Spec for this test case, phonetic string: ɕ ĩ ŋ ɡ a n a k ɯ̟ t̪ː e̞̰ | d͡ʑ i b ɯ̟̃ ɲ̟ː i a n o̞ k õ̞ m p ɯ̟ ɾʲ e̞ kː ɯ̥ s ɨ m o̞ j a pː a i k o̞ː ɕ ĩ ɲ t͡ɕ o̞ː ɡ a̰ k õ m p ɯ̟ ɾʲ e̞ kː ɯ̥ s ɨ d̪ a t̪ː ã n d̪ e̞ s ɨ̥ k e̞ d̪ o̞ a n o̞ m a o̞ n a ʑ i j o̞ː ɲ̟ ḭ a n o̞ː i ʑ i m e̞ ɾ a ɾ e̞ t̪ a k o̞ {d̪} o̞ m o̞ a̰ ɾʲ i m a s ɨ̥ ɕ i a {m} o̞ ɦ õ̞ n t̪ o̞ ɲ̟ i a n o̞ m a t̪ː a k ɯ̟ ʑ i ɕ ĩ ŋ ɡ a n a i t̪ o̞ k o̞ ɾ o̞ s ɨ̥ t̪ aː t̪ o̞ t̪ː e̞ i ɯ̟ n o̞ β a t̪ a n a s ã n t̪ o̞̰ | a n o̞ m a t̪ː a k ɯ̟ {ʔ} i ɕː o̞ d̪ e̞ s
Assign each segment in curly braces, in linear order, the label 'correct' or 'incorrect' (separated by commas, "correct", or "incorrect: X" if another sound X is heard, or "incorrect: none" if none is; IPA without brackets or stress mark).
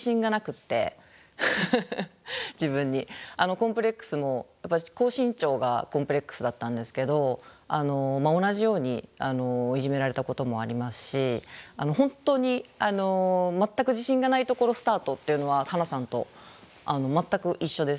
incorrect: t̪, incorrect: n, correct